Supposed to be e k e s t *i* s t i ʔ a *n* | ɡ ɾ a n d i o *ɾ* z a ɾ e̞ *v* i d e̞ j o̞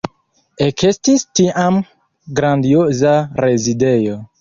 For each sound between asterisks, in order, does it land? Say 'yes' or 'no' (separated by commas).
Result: yes, no, no, no